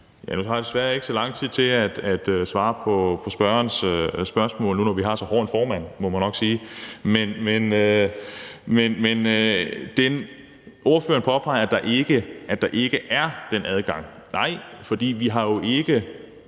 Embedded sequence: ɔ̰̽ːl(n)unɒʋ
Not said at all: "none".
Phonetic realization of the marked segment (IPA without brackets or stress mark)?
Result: n